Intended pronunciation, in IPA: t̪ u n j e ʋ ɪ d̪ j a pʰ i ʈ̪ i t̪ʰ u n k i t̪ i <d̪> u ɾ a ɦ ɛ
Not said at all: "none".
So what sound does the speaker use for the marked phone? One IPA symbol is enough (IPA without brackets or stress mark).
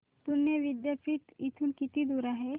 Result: d̪